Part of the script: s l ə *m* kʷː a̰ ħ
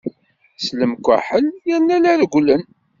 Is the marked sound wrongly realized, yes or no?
no